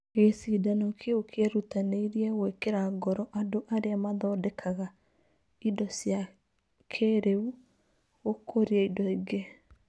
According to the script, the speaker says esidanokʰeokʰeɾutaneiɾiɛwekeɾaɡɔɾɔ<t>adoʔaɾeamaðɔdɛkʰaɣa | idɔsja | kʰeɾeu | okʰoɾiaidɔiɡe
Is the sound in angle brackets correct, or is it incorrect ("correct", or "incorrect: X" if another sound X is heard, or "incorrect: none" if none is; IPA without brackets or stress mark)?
incorrect: ʔ